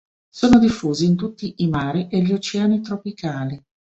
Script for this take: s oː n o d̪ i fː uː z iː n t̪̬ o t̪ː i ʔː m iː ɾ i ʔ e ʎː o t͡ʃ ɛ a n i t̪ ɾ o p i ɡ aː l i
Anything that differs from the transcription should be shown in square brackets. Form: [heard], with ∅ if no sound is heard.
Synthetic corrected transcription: s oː n o d̪ i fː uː z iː n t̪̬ [u] t̪ː i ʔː m [aː] ɾ i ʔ e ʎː o t͡ʃ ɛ a n i t̪ ɾ o p i [k] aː l i

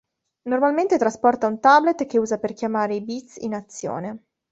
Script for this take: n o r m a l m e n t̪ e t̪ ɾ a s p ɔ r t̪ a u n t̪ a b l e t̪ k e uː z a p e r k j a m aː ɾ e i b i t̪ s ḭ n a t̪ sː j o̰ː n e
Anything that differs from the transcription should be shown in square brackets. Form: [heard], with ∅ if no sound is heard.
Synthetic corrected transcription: n o r m a l m e n t̪ e t̪ ɾ a s p ɔ r t̪ a u n t̪ a b l e t̪ k e uː z a p e r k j a m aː ɾ e i b i t̪ s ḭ n a t̪ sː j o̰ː n e

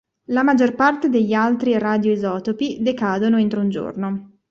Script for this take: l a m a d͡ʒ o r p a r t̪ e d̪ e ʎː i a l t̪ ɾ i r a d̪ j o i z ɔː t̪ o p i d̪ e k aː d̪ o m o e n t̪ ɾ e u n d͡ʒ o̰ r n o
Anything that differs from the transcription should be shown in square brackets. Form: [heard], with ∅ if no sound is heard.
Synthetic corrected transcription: l a m a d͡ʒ o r p a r t̪ e d̪ e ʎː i a l t̪ ɾ i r a d̪ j o i z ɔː t̪ o p i d̪ e k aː d̪ o [n] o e n t̪ ɾ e u n d͡ʒ o̰ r n o

